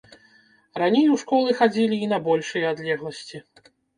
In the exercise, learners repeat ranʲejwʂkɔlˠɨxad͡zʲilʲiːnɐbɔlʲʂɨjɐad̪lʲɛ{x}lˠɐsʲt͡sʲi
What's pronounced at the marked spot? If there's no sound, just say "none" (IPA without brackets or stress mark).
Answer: ɣ